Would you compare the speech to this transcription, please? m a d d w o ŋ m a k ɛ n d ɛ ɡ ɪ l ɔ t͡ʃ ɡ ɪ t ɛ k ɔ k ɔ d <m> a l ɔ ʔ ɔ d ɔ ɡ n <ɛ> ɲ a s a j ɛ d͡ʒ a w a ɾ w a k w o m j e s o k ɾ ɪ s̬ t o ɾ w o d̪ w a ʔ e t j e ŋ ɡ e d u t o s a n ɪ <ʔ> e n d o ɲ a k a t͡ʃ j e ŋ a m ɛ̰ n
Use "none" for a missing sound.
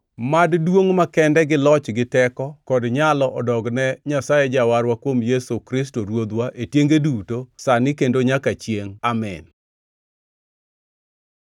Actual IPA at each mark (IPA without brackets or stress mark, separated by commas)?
ɲ, ɛ, k